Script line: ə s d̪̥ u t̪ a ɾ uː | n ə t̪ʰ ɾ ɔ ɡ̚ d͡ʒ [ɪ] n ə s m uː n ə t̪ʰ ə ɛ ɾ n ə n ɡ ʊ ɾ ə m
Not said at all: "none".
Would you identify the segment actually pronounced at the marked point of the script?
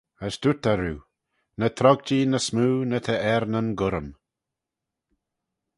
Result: i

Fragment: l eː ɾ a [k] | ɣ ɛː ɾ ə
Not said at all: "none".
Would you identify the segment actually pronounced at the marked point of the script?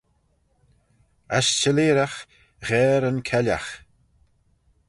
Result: x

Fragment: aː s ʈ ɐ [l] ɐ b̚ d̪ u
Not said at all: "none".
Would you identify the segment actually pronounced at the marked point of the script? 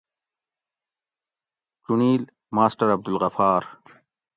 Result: ɾ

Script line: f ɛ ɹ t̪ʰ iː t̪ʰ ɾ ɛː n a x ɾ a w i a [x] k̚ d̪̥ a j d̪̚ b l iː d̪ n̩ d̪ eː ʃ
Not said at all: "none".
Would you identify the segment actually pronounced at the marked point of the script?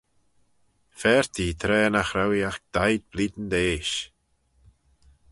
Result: x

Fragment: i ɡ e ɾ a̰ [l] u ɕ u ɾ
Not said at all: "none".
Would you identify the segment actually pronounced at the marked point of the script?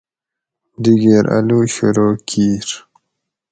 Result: l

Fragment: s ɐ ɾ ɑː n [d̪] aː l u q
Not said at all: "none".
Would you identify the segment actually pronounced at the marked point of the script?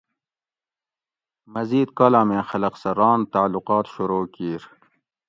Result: t̪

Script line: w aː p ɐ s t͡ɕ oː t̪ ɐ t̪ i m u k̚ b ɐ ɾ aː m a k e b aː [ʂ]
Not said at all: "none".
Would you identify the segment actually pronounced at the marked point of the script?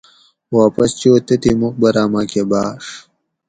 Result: ʂ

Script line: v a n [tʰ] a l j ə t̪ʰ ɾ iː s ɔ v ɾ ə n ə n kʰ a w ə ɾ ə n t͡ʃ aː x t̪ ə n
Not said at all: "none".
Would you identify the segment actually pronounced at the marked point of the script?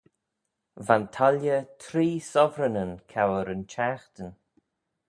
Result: tʰ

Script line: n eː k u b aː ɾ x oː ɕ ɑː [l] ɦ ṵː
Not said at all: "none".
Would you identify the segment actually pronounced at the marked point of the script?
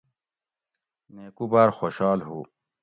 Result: l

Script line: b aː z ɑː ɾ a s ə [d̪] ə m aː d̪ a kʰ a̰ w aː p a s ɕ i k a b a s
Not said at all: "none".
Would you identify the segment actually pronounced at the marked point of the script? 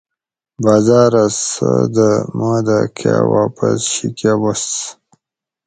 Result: d̪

